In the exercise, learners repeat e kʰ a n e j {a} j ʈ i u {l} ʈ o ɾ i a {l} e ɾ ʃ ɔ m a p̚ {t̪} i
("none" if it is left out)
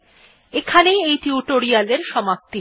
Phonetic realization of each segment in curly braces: e, none, l, t̪

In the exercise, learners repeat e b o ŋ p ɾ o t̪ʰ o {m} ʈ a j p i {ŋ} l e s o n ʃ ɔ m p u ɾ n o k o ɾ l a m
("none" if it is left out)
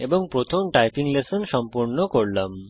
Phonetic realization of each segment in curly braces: m, ŋ

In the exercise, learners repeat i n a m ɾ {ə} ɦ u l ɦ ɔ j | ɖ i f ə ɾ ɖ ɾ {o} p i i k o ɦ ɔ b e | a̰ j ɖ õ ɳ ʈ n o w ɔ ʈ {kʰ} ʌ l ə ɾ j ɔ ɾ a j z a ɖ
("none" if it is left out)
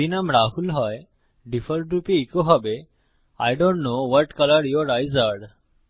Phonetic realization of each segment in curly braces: a, u, k

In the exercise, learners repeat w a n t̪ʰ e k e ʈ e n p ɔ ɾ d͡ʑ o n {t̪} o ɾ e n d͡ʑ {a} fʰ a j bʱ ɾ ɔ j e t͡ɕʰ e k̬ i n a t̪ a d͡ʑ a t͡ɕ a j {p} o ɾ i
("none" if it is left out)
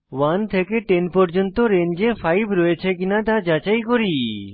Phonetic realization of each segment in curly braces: t̪, e, k

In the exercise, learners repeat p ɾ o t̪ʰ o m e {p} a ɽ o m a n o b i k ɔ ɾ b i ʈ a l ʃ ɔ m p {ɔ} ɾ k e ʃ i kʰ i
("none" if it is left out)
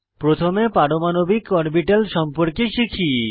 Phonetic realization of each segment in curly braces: p, o

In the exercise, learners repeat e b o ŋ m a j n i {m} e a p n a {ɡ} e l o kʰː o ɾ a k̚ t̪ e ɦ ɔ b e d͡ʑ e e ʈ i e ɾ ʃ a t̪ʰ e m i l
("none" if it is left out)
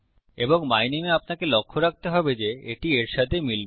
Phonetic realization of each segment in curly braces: m, k

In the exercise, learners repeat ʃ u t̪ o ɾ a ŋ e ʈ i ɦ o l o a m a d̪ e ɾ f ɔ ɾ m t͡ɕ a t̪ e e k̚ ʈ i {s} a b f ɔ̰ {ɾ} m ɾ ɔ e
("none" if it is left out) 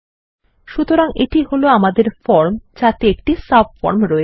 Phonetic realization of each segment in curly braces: s, ɾ

